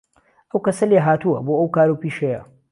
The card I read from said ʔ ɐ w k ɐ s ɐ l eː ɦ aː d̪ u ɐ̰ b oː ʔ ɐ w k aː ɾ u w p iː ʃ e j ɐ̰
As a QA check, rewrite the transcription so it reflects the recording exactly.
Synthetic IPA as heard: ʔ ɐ w k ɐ s ɐ l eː ɦ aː t̪ u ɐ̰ b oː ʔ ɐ w k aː ɾ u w p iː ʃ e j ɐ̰

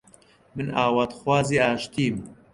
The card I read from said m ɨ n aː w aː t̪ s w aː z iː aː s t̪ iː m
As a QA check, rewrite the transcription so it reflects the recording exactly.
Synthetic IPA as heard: m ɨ n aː w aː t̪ x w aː z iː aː ʃ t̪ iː m

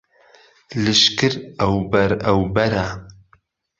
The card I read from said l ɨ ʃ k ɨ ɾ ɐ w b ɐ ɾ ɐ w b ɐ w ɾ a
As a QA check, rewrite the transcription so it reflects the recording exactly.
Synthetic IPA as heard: l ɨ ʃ k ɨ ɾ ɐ w b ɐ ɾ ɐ w b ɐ ɾ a

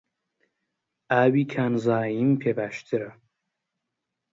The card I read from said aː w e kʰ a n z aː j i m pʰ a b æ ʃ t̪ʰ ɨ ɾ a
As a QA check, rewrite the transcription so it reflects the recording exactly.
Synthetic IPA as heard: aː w i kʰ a n z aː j i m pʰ e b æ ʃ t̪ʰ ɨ ɾ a

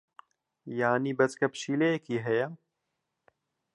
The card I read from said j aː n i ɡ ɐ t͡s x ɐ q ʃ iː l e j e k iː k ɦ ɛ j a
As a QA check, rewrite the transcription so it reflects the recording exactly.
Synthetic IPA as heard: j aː n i b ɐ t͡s k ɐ p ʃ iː l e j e k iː ɦ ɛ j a

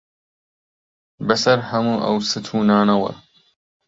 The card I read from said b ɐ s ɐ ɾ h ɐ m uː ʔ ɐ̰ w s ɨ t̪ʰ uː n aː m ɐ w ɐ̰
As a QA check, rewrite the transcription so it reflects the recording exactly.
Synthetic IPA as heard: b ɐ s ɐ ɾ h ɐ m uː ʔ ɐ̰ w s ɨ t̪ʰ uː n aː n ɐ w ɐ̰

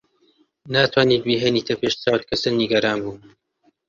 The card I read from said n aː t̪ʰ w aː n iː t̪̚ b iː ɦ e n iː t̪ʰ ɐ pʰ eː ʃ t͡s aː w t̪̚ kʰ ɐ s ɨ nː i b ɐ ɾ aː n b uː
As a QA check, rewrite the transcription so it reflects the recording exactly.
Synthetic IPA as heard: n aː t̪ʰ w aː n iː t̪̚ b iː ɦ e n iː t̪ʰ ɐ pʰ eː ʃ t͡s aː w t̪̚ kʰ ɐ s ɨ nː i ɡ ɐ ɾ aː n b uː

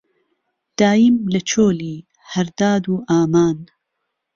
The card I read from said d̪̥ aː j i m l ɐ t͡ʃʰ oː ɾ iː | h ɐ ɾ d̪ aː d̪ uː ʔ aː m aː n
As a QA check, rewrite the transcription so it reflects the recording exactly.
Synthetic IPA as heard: d̪̥ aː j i m l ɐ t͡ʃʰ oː l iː | h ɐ ɾ d̪ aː d̪ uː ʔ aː m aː n

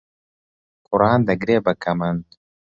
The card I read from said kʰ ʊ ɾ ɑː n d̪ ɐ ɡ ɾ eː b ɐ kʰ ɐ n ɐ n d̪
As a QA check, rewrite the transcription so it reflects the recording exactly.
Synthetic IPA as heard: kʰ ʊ ɾ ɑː n d̪ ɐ ɡ ɾ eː b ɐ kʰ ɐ m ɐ n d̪

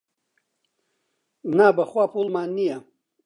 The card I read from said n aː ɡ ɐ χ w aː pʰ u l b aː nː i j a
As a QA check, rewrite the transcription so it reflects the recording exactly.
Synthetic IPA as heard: n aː b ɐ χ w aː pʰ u l m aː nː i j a

